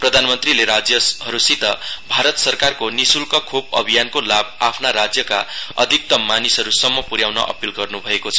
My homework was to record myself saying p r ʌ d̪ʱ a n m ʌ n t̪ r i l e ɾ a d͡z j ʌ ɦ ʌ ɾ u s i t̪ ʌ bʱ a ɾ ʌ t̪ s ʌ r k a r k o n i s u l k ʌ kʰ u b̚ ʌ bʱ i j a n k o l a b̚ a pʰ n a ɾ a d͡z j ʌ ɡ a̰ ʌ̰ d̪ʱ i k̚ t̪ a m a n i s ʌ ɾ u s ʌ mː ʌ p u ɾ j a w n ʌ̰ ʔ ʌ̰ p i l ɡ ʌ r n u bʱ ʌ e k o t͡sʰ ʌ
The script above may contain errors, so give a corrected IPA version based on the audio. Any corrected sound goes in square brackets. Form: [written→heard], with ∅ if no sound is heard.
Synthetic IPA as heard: p r ʌ d̪ʱ a n m ʌ n t̪ r i l e ɾ a d͡z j ʌ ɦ ʌ ɾ u s i t̪ ʌ bʱ a ɾ ʌ t̪ s ʌ r k a r k o n i s u l k ʌ kʰ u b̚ ʌ bʱ i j a n k o l a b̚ a pʰ n a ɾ a d͡z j ʌ [ɡ→k] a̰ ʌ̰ d̪ʱ i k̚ t̪ [a→ʌ] m a n i s ʌ ɾ u s ʌ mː ʌ p u ɾ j a w n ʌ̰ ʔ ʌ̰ p i l ɡ ʌ r n u bʱ ʌ e k o t͡sʰ ʌ

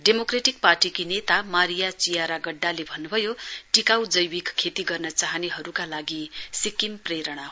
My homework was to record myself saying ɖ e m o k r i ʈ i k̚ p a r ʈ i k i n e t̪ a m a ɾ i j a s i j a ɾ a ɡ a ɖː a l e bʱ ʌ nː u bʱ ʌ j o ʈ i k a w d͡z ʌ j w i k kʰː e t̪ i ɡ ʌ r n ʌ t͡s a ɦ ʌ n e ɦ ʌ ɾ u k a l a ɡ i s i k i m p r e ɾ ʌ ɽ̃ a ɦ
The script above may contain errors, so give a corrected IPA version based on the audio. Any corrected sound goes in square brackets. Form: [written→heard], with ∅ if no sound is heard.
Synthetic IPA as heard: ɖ e m o k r [i→e] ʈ i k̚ p a r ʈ i k i n e t̪ a m a ɾ i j a [s→t͡s] i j a ɾ a ɡ [a→ʌ] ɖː a l e bʱ ʌ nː u bʱ ʌ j o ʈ i k a w d͡z ʌ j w i k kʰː e t̪ i ɡ ʌ r n ʌ t͡s a ɦ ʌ n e ɦ ʌ ɾ u k a l a ɡ i s i k i m p r e ɾ ʌ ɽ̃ a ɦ

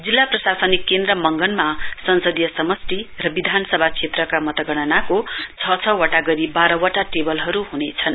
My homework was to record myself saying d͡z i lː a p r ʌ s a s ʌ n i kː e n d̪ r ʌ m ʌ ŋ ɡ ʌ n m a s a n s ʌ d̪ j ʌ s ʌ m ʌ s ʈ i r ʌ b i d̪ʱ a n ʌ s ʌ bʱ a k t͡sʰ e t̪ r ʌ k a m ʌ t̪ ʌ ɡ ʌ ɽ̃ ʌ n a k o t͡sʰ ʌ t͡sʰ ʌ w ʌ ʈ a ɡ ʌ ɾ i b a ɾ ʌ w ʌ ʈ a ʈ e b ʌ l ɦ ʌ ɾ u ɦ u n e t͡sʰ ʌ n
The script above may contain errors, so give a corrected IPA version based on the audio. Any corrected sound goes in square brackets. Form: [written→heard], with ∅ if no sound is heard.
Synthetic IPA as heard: d͡z i lː a p r ʌ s a s ʌ n i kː e n d̪ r ʌ m ʌ ŋ ɡ ʌ n m a s [a→ʌ] n s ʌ d̪ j ʌ s ʌ m ʌ s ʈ i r ʌ b i d̪ʱ a n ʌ s ʌ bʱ a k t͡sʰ e t̪ r ʌ k a m ʌ t̪ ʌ ɡ ʌ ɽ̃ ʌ n a k o t͡sʰ ʌ t͡sʰ ʌ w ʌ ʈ a ɡ ʌ ɾ i b a ɾ ʌ w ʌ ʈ a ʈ e b ʌ l ɦ ʌ ɾ u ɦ u n e t͡sʰ ʌ n

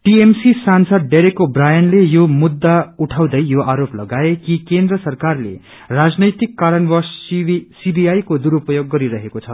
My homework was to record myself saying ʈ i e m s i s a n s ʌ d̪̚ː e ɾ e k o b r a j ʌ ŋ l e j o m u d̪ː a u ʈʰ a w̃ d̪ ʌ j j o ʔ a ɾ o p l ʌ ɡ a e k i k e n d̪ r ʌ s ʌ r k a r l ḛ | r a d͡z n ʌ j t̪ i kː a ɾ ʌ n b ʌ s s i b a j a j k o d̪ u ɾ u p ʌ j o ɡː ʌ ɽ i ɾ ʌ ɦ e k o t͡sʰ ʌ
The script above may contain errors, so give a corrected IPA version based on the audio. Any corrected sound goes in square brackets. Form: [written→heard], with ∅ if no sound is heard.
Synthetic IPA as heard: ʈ i e m s i s a n s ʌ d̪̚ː e ɾ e k o b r a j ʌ [ŋ→n] l e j o m u d̪ː a u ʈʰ a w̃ d̪ ʌ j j o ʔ a ɾ o p l ʌ ɡ a e k i k e n d̪ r ʌ s ʌ r k a r l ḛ | r a d͡z n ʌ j t̪ i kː a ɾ ʌ n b ʌ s s i b [a→i] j a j k o d̪ u ɾ u p ʌ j o ɡː ʌ [ɽ→ɾ] i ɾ ʌ ɦ e k o t͡sʰ ʌ

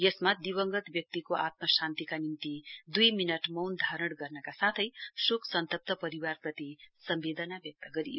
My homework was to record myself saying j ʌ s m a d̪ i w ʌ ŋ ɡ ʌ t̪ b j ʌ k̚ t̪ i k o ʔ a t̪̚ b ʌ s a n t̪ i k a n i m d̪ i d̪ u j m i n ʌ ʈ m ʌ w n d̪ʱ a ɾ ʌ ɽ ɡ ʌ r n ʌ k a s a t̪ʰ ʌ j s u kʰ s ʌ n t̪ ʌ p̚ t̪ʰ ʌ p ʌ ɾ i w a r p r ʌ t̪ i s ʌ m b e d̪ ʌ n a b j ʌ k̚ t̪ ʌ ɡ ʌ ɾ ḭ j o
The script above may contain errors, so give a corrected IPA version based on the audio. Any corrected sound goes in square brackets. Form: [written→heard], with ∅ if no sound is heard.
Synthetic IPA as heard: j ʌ s m a d̪ i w ʌ ŋ ɡ ʌ t̪ b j ʌ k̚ t̪ i k o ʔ a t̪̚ [b→m] ʌ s a n t̪ i k a n i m [d̪→t̪] i d̪ u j m i n ʌ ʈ m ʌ w n d̪ʱ a ɾ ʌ ɽ ɡ ʌ r n ʌ k a s a t̪ʰ ʌ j s u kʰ s ʌ n t̪ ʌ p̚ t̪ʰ ʌ p ʌ ɾ i w a r p r ʌ t̪ i s ʌ m b e d̪ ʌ n a b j ʌ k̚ t̪ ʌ ɡ ʌ ɾ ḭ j o

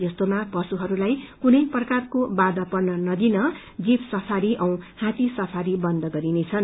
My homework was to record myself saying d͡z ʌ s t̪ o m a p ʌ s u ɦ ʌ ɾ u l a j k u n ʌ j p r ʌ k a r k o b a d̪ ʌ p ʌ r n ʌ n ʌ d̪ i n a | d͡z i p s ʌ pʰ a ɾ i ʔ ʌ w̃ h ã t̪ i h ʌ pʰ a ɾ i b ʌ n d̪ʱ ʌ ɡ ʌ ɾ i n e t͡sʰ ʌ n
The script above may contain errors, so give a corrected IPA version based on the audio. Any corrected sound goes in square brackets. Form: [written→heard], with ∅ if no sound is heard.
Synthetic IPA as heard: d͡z ʌ s t̪ o m a p ʌ s u ɦ ʌ ɾ u l a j k u n ʌ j p r ʌ k a r k o b a d̪ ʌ p ʌ r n ʌ n ʌ d̪ i n [a→ʌ] | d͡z i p s ʌ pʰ a ɾ i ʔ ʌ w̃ h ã t̪ i [h→s] ʌ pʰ a ɾ i b ʌ n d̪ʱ ʌ ɡ ʌ ɾ i n e t͡sʰ ʌ n

